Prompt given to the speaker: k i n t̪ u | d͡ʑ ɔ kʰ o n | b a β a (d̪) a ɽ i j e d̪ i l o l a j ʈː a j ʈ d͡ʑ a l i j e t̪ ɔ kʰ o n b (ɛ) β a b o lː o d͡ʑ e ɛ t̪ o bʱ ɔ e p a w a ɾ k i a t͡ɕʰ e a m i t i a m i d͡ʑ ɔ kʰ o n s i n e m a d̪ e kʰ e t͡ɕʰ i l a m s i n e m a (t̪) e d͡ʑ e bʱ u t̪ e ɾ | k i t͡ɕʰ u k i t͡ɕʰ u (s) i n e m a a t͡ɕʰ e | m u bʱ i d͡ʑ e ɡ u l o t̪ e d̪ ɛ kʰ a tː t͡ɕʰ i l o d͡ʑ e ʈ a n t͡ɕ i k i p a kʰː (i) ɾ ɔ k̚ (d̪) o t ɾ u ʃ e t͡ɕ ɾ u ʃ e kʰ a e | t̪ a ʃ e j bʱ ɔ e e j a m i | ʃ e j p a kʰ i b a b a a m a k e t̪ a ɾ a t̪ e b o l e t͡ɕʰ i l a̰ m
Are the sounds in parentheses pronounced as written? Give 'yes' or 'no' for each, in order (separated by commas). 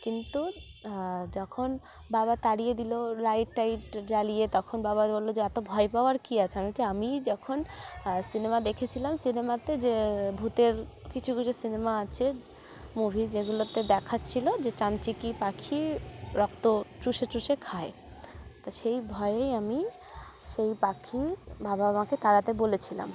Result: no, no, yes, yes, yes, no